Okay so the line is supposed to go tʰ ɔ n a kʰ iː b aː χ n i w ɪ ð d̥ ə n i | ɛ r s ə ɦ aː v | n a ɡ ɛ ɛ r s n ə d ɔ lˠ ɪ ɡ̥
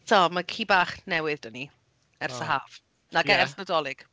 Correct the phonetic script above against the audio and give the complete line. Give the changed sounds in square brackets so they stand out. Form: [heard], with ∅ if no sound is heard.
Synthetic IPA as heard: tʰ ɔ [m] a kʰ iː b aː χ n [ɛ] w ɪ ð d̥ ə n i | ɛ r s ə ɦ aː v | n a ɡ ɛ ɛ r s n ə d ɔ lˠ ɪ ɡ̥